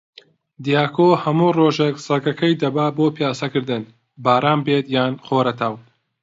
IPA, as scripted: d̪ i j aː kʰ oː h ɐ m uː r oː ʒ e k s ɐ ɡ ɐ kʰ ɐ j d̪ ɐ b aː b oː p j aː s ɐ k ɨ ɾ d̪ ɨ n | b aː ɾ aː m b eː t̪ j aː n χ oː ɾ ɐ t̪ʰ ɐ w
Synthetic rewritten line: d̪ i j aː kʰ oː h ɐ m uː r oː ʒ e k s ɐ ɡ ɐ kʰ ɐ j d̪ ɐ b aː b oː p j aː s ɐ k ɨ ɾ d̪ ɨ n | b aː ɾ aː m b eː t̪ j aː n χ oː ɾ ɐ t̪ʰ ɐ w